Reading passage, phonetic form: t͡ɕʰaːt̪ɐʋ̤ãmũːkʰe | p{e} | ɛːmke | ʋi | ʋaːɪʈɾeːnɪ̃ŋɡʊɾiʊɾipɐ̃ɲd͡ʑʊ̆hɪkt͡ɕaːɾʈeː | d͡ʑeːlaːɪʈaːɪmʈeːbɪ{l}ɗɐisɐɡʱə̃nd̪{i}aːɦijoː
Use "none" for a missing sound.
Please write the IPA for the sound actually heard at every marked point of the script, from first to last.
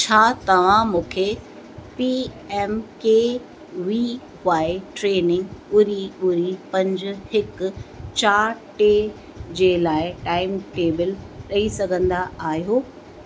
i, l, a

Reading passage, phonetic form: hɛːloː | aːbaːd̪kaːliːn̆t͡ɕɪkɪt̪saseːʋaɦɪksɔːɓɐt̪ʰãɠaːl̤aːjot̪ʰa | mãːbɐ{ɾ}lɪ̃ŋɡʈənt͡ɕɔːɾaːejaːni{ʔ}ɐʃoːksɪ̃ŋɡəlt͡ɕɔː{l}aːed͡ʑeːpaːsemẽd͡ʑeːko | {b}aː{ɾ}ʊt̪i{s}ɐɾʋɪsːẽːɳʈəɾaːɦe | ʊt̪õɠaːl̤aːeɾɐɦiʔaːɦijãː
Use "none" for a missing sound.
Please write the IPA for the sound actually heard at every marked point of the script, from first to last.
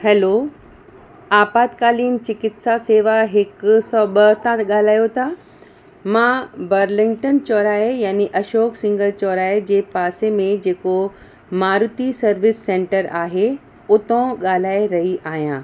ɾ, ʔ, ɾ, m, ɾ, s

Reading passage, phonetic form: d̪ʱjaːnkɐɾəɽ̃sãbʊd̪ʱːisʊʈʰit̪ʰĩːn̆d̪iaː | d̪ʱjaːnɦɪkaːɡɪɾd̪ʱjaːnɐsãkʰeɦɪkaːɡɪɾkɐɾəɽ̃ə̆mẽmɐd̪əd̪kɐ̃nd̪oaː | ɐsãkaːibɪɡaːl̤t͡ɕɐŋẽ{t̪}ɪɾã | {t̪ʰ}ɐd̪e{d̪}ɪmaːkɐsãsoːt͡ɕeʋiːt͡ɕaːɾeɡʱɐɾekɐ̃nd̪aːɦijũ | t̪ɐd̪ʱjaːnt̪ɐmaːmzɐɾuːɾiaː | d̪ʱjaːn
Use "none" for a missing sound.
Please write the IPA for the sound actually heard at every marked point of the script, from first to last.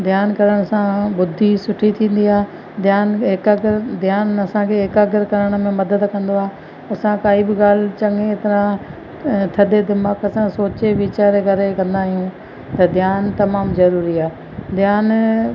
t̪, t̪ʰ, d̪

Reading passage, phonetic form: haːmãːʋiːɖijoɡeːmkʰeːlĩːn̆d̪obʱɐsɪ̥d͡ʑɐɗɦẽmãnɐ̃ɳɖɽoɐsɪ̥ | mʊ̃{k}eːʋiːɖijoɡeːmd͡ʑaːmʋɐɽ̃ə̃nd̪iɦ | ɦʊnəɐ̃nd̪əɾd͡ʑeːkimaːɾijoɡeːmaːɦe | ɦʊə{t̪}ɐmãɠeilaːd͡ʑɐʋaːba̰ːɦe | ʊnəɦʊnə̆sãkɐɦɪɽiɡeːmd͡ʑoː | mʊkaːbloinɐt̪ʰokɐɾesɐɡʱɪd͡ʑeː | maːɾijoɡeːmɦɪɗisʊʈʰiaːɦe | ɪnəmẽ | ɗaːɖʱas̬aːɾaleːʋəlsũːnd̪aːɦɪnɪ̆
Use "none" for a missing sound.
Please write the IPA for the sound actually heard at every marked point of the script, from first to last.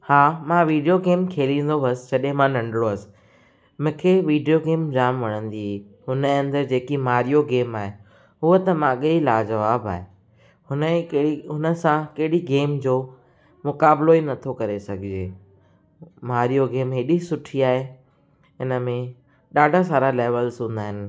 kʰ, t̪

